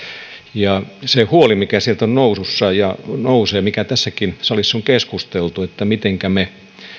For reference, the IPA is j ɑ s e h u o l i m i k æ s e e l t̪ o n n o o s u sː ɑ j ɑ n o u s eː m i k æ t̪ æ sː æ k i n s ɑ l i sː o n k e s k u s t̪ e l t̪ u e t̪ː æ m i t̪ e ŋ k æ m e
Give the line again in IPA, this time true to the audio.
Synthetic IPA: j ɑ s e h u o l i m i k æ s i e l t̪ o n n o u s u sː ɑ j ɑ n o u s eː m i k æ t̪ æ sː æ k i n s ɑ l i sː o ŋ k e s k u s t̪ e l t̪ u e t̪ː æ m i t̪ e ŋ k æ m e